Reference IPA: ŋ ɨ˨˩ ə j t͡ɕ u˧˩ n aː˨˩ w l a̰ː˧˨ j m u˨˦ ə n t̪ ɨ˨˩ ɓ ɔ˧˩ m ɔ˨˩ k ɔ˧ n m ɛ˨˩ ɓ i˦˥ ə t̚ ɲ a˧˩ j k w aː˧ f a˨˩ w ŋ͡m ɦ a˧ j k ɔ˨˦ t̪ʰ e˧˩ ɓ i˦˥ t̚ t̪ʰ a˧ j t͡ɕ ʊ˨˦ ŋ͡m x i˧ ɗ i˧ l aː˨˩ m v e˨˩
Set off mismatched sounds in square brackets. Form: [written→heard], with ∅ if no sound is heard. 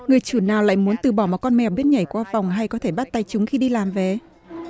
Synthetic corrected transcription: ŋ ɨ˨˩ ə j t͡ɕ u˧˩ n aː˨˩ w l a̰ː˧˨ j m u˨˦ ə n t̪ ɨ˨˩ ɓ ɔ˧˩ m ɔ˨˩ k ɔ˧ n m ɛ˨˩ ɓ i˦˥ ə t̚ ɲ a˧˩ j k w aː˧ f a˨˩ w ŋ͡m ɦ a˧ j k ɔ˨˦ t̪ʰ e˧˩ ɓ [i˦˥→a˦˥] t̚ [t̪ʰ→t̪] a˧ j t͡ɕ ʊ˨˦ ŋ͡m x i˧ ɗ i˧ l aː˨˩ m v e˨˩